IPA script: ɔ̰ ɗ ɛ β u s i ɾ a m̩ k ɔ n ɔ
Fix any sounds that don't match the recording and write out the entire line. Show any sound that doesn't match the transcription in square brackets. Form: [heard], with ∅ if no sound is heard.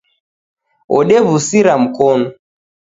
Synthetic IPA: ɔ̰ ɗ ɛ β u s i ɾ a m̩ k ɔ n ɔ